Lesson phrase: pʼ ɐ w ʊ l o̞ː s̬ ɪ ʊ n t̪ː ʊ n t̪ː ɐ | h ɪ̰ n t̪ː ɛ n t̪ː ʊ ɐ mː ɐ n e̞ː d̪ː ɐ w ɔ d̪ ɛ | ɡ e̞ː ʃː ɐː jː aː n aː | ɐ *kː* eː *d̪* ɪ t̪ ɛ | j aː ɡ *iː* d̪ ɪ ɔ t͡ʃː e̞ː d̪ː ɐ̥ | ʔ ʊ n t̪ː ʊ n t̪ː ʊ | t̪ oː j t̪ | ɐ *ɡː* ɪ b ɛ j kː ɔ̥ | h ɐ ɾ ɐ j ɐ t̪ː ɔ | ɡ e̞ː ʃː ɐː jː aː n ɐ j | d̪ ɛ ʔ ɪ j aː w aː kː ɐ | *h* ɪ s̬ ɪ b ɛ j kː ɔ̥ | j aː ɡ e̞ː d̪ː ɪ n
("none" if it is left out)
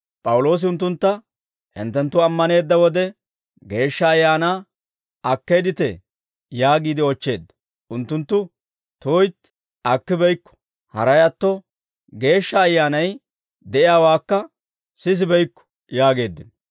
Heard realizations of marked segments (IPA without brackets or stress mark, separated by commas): kː, d̪, iː, kː, s